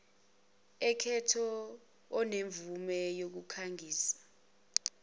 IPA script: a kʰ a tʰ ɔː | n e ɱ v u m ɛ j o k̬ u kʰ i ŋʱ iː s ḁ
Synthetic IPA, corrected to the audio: ɛ kʰ ɛ tʰ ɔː | n e ɱ v u m ɛ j o k̬ u kʰ a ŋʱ iː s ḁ